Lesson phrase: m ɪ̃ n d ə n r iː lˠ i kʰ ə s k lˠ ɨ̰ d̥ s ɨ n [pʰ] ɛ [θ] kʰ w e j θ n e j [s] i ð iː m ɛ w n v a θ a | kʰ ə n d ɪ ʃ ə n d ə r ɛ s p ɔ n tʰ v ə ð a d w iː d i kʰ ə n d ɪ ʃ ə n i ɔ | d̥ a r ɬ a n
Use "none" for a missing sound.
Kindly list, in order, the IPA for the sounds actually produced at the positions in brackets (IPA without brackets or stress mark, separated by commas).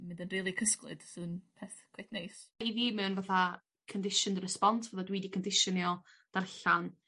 pʰ, θ, s